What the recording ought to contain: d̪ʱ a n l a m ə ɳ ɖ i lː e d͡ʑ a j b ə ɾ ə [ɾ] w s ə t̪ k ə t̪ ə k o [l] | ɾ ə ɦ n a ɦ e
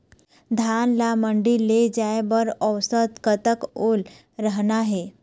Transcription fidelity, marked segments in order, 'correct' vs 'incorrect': incorrect: none, correct

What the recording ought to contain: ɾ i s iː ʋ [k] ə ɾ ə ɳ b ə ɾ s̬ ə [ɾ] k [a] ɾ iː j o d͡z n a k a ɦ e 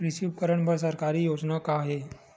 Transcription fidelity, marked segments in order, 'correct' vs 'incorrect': correct, correct, correct

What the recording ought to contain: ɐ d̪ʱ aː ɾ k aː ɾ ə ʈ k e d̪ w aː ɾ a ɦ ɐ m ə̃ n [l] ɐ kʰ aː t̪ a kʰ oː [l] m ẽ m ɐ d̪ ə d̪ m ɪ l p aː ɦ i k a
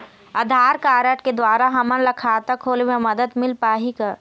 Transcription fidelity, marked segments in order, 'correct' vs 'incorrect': correct, correct

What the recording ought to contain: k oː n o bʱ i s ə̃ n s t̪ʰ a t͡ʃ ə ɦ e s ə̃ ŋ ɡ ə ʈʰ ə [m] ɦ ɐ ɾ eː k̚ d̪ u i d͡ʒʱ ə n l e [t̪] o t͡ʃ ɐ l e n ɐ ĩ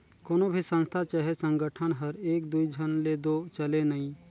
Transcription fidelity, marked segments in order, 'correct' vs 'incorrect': incorrect: n, incorrect: d̪

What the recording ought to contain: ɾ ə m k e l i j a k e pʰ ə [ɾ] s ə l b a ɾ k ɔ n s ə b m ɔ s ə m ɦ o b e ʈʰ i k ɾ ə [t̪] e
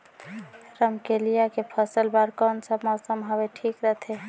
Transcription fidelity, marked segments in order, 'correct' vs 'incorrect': incorrect: none, incorrect: t̪ʰ

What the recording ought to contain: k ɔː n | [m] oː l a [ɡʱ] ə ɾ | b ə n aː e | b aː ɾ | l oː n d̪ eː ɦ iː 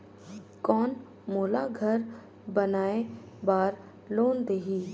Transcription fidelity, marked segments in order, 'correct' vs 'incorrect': correct, correct

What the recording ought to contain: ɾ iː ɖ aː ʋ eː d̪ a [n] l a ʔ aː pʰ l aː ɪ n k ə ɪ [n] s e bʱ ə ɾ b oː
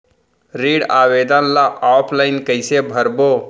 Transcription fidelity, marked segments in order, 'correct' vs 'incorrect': correct, incorrect: none

